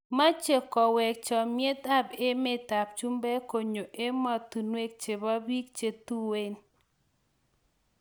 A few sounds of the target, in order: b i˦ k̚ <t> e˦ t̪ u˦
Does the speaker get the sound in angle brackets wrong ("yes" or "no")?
yes